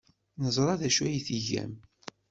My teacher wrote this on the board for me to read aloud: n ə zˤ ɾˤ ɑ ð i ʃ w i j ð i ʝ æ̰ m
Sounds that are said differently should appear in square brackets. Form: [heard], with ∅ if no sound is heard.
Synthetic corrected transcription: n ə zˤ ɾˤ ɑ ð [æ] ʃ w [æ] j [θ] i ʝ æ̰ m

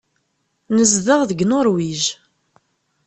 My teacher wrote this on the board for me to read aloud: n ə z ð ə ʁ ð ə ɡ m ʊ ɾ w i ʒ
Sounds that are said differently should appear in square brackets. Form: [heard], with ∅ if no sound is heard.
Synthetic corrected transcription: n ə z ð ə ʁ ð ə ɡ [n] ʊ ɾ w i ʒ

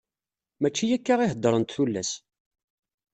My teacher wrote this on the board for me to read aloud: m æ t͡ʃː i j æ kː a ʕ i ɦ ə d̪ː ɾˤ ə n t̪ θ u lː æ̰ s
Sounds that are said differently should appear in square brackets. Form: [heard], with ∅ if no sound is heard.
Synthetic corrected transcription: m æ t͡ʃː i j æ kː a [ʁ] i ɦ ə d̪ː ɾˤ ə n t̪ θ u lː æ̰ s

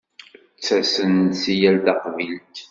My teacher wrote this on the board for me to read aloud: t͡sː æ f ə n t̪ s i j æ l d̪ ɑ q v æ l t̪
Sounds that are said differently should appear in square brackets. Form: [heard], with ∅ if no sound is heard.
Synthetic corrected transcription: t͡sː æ [s] ə n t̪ s i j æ l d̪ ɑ q v [i] l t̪

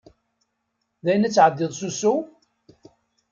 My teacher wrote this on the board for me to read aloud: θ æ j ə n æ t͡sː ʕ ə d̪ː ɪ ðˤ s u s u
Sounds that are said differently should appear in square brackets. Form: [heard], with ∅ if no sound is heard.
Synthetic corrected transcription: [ð] æ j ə n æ t͡sː ʕ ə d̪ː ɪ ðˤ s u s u

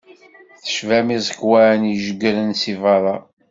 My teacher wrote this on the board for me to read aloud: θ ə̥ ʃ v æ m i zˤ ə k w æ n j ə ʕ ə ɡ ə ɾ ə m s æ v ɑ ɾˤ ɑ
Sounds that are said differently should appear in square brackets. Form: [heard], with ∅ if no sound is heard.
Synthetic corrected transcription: θ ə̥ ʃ v æ m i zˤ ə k w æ n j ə [ʒ] ə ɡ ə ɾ ə [n] s [i] v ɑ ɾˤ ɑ

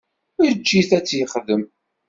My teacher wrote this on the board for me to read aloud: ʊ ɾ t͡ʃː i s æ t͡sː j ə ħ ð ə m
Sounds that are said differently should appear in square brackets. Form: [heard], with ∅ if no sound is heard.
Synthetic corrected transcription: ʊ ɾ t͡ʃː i [θ] æ t͡sː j ə [χ] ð ə m

